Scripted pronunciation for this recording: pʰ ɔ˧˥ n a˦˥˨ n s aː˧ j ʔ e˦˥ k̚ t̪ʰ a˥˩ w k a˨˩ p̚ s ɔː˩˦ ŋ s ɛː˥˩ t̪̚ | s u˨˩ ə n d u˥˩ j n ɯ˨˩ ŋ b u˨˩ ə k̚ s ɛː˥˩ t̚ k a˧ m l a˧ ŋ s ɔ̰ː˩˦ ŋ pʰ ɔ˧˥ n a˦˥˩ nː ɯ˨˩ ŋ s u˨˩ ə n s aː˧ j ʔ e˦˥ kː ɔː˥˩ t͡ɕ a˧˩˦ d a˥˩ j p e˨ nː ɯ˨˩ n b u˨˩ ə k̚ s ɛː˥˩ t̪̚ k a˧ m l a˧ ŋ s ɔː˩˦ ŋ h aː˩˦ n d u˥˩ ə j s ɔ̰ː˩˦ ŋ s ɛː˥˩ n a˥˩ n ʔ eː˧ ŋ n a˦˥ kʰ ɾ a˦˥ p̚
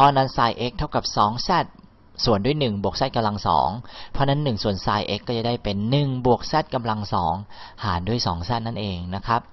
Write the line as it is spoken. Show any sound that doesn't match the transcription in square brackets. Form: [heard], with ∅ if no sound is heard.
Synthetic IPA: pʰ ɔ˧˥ n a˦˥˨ n s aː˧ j ʔ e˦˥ k̚ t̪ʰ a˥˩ w k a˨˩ p̚ s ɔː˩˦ ŋ s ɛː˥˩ t̪̚ | s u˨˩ ə n d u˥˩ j n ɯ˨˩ ŋ b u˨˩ ə k̚ s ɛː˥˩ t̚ k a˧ m l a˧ ŋ s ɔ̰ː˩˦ ŋ pʰ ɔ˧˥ n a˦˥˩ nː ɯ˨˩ ŋ s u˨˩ ə n s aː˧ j ʔ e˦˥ kː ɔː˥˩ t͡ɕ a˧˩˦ d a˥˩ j p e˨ nː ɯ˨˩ [ŋ] b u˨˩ ə k̚ s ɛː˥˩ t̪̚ k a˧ m l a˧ ŋ s ɔː˩˦ ŋ h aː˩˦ n d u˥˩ ə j s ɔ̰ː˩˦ ŋ s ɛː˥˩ n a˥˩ n ʔ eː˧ ŋ n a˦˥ kʰ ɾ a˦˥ p̚